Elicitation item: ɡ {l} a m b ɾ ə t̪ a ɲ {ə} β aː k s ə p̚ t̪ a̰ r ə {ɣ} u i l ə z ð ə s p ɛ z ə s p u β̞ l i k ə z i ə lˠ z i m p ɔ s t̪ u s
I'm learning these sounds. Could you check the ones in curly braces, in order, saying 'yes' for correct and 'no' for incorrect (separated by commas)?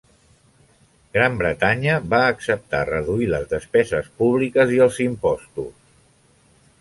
no, yes, no